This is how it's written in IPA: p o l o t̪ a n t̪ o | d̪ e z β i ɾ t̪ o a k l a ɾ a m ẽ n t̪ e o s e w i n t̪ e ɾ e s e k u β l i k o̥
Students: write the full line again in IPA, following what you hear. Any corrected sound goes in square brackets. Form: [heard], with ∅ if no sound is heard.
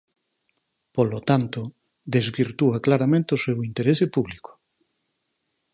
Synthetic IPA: p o l o t̪ a n t̪ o | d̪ e z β i ɾ t̪ [u] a k l a ɾ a m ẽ n t̪ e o s e w i n t̪ e ɾ e s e [p] u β l i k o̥